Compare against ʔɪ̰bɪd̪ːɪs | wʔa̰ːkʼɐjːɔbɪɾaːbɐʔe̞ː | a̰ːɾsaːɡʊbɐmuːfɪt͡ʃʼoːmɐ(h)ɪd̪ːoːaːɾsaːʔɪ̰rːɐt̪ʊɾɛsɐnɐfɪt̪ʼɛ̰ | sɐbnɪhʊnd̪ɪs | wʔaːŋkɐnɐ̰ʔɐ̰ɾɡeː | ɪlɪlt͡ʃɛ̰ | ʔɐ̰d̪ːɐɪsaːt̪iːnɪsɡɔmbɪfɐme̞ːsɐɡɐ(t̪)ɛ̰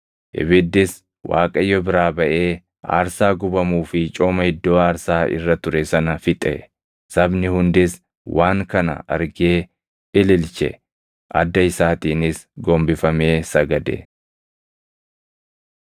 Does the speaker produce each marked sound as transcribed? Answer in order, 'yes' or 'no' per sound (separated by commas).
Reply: yes, no